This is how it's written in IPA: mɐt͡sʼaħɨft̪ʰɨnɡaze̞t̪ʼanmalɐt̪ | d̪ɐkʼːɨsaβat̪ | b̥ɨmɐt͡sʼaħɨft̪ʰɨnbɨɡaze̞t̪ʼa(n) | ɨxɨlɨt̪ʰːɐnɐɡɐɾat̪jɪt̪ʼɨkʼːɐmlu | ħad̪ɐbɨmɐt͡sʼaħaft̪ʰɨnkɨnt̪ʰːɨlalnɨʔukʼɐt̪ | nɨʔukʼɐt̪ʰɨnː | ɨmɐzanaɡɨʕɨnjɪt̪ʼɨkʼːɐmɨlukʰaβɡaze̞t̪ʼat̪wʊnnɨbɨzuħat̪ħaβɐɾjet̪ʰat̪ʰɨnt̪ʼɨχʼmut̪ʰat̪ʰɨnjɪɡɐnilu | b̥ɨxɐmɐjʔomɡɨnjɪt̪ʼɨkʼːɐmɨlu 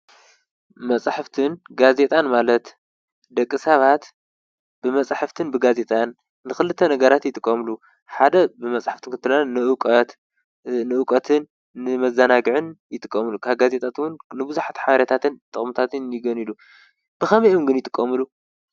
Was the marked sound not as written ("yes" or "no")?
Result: yes